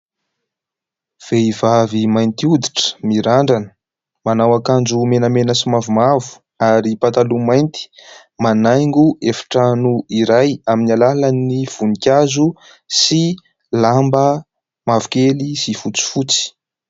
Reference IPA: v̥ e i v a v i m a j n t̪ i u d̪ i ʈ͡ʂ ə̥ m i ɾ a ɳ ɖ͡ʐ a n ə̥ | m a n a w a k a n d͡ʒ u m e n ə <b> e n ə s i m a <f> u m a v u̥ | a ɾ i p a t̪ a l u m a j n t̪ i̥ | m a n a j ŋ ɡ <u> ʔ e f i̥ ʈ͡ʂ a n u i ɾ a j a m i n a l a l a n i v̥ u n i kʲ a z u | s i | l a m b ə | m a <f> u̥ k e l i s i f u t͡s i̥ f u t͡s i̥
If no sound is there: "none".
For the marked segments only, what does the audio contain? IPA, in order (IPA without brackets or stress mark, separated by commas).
m, v, u, v